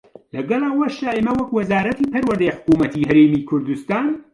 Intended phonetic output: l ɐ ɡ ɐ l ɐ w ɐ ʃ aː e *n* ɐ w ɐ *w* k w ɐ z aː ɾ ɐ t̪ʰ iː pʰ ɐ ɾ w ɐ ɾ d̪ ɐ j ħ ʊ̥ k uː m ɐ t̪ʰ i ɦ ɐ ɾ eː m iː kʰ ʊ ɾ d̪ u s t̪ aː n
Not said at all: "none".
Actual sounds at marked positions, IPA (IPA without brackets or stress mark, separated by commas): m, none